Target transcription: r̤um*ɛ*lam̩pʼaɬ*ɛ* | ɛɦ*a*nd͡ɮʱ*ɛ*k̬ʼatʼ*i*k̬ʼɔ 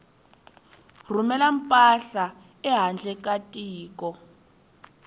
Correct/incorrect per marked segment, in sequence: correct, incorrect, correct, correct, incorrect

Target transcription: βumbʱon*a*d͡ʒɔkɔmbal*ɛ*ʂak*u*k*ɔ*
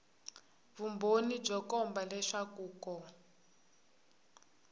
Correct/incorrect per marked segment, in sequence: incorrect, correct, incorrect, correct

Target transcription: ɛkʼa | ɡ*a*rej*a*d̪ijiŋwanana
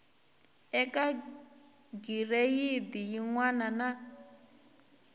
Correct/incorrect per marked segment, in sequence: incorrect, incorrect

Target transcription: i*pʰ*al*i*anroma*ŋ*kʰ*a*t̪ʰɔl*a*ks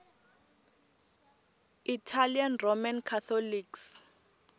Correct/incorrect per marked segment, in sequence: incorrect, correct, incorrect, correct, incorrect

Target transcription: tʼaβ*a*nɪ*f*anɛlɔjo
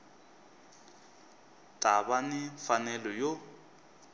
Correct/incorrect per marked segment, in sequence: correct, correct

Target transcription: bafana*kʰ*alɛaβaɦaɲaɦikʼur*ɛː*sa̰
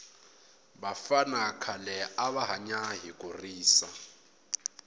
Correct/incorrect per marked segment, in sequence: correct, incorrect

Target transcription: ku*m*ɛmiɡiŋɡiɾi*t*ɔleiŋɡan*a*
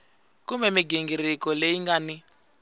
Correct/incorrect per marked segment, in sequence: correct, incorrect, incorrect

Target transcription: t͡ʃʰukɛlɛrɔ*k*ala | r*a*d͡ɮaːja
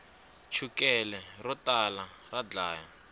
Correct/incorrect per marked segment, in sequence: incorrect, correct

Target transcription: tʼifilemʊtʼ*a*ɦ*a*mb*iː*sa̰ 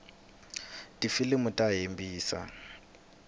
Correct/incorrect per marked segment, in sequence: correct, incorrect, correct

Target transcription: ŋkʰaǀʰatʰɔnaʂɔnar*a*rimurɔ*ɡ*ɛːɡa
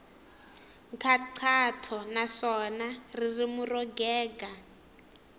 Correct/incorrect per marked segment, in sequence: incorrect, correct

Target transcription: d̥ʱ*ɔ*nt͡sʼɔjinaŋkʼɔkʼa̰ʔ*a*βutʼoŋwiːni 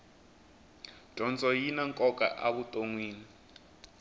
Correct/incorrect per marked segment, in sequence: correct, correct

